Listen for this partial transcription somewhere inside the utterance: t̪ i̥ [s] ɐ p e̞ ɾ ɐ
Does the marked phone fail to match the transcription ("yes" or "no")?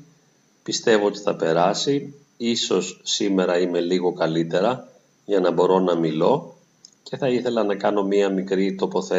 yes